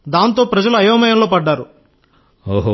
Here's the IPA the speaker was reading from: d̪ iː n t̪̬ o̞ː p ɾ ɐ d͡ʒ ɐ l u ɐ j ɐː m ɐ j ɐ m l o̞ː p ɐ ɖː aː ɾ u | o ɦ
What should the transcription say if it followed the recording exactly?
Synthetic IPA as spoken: d̪ aː n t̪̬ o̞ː p ɾ ɐ d͡ʒ ɐ l u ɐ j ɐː m ɐ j ɐ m l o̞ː p ɐ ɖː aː ɾ u | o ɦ